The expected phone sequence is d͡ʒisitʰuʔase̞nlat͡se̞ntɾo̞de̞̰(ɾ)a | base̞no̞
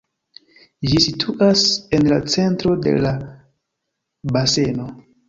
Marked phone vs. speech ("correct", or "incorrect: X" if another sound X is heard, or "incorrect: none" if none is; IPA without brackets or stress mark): incorrect: l